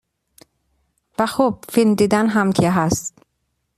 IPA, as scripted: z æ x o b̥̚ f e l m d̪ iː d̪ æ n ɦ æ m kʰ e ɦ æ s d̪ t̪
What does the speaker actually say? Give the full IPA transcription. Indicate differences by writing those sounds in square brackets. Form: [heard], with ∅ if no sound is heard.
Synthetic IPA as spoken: [v] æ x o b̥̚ f [i] l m d̪ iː d̪ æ n ɦ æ m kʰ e ɦ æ s [t̪] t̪